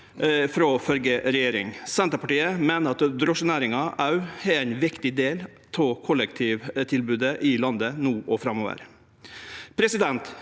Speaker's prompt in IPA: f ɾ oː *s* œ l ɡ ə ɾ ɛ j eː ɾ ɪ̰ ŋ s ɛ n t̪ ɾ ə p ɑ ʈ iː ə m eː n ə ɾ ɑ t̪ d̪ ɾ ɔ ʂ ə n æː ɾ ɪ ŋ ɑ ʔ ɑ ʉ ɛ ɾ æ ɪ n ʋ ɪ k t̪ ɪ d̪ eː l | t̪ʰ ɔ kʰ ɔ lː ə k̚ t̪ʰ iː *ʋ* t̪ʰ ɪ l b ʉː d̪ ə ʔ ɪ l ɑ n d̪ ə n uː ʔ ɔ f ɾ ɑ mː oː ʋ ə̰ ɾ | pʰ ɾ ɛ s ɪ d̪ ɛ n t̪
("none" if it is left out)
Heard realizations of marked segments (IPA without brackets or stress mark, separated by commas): f, ʋ